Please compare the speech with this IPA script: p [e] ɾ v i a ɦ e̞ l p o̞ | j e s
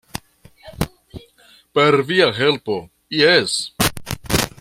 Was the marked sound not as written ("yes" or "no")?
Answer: no